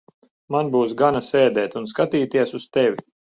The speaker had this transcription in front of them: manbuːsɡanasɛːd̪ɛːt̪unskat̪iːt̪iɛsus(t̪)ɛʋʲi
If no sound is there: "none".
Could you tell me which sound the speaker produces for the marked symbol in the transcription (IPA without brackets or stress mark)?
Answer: t̪